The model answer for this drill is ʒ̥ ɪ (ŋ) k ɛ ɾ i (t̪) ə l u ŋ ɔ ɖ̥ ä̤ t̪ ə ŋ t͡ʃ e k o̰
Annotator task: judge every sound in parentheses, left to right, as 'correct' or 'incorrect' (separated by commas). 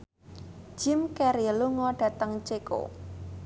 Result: incorrect, incorrect